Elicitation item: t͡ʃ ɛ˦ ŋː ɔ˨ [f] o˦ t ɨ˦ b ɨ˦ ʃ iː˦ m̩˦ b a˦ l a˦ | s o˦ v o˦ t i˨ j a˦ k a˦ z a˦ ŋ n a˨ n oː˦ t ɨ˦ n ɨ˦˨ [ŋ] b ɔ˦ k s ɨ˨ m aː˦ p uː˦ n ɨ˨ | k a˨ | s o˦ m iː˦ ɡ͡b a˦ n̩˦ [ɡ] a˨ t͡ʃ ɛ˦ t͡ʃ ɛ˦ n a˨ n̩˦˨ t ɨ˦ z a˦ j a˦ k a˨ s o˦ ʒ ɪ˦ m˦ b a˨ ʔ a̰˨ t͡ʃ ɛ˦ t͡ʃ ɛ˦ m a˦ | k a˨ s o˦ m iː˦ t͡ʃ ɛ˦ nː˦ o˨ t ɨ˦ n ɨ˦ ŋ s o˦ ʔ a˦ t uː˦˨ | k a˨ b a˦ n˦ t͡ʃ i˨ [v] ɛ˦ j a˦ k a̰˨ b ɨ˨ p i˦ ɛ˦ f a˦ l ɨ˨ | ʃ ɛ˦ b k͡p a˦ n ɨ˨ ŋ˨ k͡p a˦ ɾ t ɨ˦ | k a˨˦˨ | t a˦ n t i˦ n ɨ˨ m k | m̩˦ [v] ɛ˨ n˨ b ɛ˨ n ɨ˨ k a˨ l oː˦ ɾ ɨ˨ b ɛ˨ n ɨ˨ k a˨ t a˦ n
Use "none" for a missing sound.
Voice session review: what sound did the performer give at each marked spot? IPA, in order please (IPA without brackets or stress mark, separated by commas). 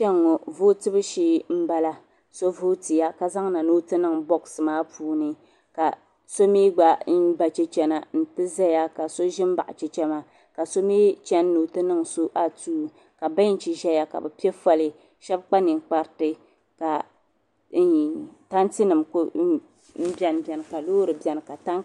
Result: v, ŋ, b, ʒ, b